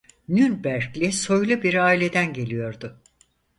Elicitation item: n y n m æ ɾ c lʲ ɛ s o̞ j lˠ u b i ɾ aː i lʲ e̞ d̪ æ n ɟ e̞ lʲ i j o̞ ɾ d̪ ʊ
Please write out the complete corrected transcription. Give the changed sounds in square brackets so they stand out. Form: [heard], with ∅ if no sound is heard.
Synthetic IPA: n y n [b] æ ɾ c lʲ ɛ s o̞ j lˠ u b i ɾ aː i lʲ e̞ d̪ æ n ɟ e̞ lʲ i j o̞ ɾ d̪ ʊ

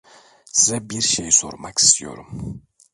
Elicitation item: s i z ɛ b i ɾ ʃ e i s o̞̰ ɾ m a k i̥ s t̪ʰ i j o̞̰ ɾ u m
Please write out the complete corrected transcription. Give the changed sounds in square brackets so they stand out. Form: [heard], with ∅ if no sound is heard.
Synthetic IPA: s i z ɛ b i ɾ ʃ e [j] s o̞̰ ɾ m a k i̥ s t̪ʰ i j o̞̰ ɾ u m

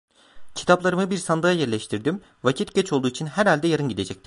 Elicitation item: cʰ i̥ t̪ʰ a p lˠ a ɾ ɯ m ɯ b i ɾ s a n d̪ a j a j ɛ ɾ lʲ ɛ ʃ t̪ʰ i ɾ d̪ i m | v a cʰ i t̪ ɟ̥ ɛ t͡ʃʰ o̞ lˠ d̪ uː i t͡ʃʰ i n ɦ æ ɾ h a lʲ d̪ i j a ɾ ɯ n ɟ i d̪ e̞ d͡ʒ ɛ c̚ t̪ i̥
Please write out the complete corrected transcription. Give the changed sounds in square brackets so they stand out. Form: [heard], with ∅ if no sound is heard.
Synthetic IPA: cʰ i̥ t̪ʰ a p lˠ a ɾ ɯ m ɯ b i ɾ s a n d̪ a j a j ɛ ɾ lʲ ɛ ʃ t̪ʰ i ɾ d̪ i m | v a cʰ i t̪ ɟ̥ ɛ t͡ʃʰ o̞ lˠ d̪ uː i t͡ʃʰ i n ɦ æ ɾ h a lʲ d̪ [ɛ] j a ɾ ɯ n ɟ i d̪ e̞ d͡ʒ ɛ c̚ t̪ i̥

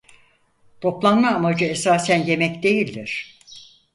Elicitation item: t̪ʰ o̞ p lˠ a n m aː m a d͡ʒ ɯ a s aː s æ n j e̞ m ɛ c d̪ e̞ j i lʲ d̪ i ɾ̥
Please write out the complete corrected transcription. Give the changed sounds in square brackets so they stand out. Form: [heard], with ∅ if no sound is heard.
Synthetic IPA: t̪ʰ o̞ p lˠ a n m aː m a d͡ʒ ɯ [e] s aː s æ n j e̞ m ɛ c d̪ e̞ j i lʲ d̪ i ɾ̥

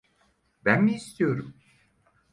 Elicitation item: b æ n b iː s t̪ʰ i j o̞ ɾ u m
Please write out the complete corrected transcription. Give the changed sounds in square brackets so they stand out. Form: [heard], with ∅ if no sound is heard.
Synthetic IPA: b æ n [m] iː s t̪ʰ i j o̞ ɾ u m

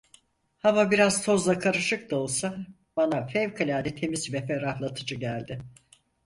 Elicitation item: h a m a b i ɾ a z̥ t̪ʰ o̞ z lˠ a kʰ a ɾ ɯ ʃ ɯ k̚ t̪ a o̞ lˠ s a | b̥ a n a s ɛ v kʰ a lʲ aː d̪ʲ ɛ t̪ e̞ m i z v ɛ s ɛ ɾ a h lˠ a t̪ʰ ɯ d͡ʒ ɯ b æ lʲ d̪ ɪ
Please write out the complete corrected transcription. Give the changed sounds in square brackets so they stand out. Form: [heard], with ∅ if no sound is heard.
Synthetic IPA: h a m a b i ɾ a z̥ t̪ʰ o̞ z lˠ a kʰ a ɾ ɯ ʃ ɯ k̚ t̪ a o̞ lˠ s a | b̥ a n a [f] ɛ v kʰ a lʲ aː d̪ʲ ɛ [t̪ʰ] e̞ m i z v ɛ [f] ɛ ɾ a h lˠ a t̪ʰ ɯ d͡ʒ ɯ [ɟ] æ lʲ d̪ ɪ

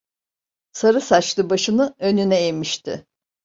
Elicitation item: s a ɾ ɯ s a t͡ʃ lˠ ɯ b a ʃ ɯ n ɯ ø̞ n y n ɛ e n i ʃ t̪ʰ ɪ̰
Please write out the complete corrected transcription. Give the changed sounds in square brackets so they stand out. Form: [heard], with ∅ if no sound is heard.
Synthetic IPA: s a ɾ ɯ s a t͡ʃ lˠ ɯ b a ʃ ɯ n ɯ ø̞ n y n ɛ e [m] i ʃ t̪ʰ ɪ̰

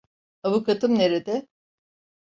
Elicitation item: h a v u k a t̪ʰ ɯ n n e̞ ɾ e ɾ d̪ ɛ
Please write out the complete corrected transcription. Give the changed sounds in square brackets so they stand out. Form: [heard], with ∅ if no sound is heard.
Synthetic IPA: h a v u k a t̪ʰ ɯ [m] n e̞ ɾ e [∅] d̪ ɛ

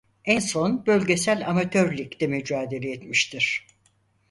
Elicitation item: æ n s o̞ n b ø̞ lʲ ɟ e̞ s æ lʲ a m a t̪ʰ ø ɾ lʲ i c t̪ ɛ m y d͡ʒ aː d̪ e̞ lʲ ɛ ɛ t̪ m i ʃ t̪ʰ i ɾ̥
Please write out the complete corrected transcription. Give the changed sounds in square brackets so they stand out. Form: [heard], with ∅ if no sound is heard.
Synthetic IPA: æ n s o̞ n b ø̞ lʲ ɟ e̞ s æ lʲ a m a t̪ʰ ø ɾ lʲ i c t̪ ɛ m y d͡ʒ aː d̪ e̞ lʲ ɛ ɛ t̪ m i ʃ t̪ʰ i ɾ̥

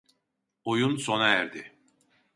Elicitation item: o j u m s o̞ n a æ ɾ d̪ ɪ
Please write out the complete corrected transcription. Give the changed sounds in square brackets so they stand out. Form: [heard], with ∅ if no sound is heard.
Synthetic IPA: o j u [n] s o̞ n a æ ɾ d̪ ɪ

